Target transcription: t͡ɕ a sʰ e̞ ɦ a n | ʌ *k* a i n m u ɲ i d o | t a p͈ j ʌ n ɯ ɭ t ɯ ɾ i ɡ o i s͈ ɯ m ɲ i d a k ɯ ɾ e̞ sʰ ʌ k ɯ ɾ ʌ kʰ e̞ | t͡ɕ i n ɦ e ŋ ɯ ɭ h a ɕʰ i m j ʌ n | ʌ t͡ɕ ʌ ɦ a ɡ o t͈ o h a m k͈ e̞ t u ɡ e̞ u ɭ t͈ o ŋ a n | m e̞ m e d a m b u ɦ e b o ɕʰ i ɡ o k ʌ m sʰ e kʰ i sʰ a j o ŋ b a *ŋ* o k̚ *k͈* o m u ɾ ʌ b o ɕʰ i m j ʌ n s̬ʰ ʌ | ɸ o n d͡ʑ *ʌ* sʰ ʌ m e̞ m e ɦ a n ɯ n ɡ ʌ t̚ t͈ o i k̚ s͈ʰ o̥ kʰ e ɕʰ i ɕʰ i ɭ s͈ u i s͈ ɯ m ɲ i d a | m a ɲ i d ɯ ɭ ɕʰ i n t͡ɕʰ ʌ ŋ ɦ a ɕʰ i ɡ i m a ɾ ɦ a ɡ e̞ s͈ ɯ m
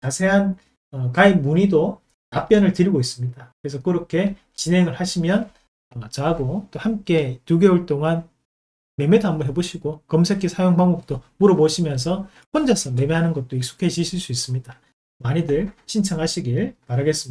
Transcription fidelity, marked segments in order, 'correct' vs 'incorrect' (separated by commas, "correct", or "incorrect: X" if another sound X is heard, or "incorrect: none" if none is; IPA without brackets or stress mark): correct, correct, incorrect: t͈, incorrect: a